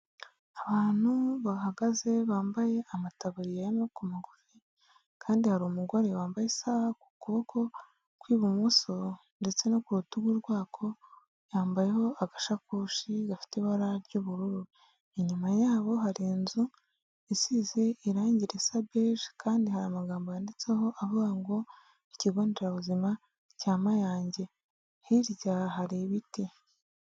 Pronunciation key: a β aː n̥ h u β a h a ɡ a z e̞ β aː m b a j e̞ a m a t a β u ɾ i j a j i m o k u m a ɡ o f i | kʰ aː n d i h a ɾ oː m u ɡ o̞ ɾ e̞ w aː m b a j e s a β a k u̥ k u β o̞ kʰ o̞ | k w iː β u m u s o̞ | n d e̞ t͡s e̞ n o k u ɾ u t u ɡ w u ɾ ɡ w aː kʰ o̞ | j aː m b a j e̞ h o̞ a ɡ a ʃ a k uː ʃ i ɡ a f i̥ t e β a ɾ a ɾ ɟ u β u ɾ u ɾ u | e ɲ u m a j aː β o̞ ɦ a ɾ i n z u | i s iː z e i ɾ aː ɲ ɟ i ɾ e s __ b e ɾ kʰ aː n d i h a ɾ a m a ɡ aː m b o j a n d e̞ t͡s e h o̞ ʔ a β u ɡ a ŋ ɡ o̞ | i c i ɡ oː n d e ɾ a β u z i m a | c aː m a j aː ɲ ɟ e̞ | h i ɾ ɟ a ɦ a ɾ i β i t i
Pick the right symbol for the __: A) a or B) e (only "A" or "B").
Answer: A